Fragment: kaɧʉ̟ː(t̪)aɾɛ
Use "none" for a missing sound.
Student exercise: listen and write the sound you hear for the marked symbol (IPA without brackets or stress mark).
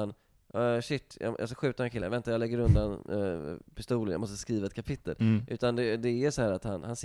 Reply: t̪